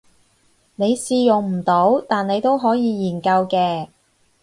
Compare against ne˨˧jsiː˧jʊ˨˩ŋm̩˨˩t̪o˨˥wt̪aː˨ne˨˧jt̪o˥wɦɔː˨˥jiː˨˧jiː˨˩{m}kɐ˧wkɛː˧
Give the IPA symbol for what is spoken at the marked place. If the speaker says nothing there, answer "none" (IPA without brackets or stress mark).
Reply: n